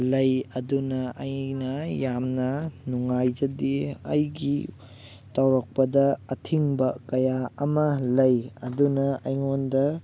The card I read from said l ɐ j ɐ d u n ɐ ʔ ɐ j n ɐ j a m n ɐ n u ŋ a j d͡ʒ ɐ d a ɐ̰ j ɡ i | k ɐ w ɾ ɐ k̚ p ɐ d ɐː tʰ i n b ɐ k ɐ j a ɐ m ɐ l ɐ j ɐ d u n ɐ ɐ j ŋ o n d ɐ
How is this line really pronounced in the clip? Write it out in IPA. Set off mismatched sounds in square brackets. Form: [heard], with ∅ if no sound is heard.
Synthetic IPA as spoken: l ɐ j ɐ d u n ɐ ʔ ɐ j n ɐ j a m n ɐ n u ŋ a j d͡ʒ ɐ d [i] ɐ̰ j ɡ i | [t] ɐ w ɾ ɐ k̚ p ɐ d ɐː tʰ i [ŋ] b ɐ k ɐ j a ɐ m ɐ l ɐ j ɐ d u n ɐ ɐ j ŋ o n d ɐ

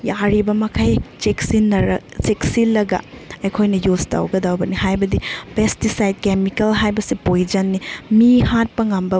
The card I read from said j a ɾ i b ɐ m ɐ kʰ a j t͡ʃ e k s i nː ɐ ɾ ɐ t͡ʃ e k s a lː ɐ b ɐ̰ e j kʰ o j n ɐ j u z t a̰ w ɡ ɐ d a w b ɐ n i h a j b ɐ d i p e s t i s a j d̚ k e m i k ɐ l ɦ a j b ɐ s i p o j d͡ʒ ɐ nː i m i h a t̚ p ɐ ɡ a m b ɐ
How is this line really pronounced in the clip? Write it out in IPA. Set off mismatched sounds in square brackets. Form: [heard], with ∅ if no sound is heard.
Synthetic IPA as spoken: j a ɾ i b ɐ m ɐ kʰ a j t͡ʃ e k s i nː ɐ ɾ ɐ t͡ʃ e k s [i] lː ɐ [ɡ] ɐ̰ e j kʰ o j n ɐ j u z t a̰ w ɡ ɐ d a w b ɐ n i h a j b ɐ d i p e s t i s a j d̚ k e m i k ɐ l ɦ a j b ɐ s i p o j d͡ʒ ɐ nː i m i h a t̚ p ɐ [ŋ] a m b ɐ

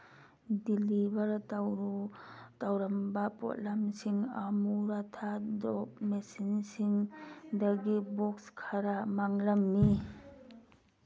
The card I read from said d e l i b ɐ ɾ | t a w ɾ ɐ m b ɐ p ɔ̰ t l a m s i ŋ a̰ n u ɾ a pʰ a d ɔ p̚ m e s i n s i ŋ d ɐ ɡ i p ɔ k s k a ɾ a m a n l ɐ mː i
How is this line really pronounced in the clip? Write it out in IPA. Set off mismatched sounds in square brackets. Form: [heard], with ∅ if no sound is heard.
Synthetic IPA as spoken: d [i] l i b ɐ ɾ | t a w ɾ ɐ m b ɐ p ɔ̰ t l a m s i ŋ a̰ [m] u ɾ a [tʰ] a d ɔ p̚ m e s i n s i ŋ d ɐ ɡ i [b] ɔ k s [kʰ] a ɾ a m a [ŋ] l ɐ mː i

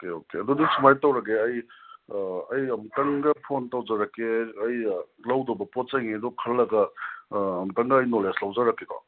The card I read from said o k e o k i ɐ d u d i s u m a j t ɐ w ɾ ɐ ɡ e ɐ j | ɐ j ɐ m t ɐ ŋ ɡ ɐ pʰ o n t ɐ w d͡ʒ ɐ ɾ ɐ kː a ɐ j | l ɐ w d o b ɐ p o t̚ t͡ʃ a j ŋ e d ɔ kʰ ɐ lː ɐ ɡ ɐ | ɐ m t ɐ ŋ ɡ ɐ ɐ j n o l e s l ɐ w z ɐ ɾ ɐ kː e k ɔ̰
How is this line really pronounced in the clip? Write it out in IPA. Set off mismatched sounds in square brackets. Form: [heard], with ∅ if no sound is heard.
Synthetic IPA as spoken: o k e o k [e] ɐ d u d i s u m a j t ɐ w ɾ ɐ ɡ e ɐ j | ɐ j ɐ m t ɐ ŋ ɡ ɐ pʰ o n t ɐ w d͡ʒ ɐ ɾ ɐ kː [e] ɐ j | l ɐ w d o b ɐ p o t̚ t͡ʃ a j ŋ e d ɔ kʰ ɐ lː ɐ ɡ ɐ | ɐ m t ɐ ŋ ɡ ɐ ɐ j n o l e s l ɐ w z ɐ ɾ ɐ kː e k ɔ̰

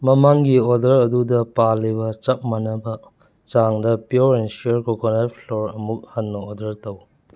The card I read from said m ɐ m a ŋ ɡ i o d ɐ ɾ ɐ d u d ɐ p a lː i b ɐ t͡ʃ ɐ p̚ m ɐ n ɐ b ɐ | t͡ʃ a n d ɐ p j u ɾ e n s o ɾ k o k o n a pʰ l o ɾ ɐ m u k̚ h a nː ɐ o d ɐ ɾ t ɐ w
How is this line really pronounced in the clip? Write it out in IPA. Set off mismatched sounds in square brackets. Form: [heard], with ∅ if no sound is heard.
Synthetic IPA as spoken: m ɐ m a ŋ ɡ i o d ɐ ɾ ɐ d u d ɐ p a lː i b ɐ t͡ʃ ɐ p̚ m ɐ n ɐ b ɐ | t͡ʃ a [ŋ] d ɐ p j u ɾ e n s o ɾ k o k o n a pʰ l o ɾ ɐ m u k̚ h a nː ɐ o d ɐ ɾ t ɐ w

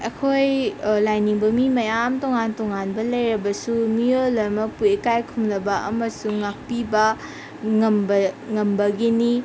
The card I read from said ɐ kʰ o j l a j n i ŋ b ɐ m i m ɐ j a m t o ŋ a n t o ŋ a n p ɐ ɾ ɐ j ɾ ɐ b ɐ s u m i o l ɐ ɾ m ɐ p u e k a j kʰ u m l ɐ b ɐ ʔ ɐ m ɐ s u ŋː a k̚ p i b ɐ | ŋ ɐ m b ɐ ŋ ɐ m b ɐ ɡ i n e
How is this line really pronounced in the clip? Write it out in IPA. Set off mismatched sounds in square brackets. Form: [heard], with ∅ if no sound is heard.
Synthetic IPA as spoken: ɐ kʰ o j l a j n i ŋ b ɐ m i m ɐ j a m t o ŋ a n t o ŋ a n [b] ɐ [l] ɐ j ɾ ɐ b ɐ s u m i o l ɐ ɾ m ɐ p u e k a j kʰ u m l ɐ b ɐ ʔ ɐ m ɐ s u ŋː a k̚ p i b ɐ | ŋ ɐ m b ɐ ŋ ɐ m b ɐ ɡ i n [i]

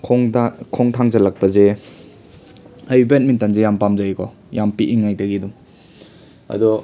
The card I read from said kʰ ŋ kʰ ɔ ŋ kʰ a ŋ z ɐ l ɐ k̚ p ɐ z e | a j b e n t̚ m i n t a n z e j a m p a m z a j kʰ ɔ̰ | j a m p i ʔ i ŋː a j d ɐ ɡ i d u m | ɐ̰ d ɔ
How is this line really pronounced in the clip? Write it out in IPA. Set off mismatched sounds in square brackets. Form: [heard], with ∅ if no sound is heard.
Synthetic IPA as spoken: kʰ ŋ kʰ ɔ ŋ [tʰ] a ŋ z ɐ l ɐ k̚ p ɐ z e | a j b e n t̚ m i n t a n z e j a m p a m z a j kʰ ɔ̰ | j a m p i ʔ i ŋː a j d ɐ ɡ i d u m | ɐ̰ d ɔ

